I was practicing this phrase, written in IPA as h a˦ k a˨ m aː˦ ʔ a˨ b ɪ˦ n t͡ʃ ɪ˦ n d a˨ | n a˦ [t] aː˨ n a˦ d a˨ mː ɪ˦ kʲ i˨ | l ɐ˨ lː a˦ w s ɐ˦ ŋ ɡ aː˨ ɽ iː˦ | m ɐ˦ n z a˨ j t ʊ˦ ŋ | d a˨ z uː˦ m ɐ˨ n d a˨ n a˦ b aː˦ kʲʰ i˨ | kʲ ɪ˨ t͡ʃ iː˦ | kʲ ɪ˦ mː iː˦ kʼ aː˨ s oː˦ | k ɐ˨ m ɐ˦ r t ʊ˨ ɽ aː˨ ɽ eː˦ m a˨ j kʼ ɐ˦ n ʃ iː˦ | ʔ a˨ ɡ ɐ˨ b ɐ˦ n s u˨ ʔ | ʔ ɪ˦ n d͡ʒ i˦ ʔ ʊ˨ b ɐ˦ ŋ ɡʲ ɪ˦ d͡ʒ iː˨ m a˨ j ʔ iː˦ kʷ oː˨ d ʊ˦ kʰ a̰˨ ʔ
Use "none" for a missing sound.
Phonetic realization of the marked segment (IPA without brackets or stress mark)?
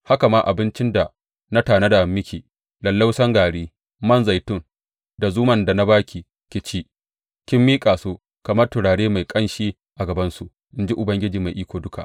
t